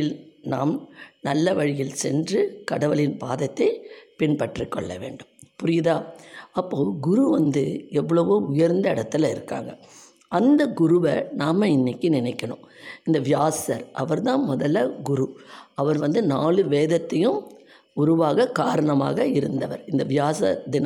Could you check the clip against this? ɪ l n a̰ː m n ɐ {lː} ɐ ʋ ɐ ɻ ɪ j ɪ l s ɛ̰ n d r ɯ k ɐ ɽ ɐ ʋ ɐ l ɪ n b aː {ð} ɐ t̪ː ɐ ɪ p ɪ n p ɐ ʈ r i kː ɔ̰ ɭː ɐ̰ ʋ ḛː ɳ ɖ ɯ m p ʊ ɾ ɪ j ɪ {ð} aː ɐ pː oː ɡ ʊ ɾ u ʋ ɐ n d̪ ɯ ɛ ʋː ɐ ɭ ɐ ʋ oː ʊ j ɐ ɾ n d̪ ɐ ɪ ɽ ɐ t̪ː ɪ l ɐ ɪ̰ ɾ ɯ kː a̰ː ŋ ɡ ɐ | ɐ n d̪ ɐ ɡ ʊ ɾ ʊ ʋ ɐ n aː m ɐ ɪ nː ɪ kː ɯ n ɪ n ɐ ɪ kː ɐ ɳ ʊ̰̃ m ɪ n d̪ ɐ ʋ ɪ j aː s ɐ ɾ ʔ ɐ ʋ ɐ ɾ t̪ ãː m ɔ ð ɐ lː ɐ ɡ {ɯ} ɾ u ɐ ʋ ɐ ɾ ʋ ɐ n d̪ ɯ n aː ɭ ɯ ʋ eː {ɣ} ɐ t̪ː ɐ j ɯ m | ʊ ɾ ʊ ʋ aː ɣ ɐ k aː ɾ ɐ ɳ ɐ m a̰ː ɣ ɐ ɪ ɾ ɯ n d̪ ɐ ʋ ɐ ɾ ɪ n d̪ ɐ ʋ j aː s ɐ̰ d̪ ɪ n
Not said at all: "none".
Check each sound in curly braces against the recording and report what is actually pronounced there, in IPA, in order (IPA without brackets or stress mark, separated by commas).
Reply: lː, ð, ð, ʊ, ð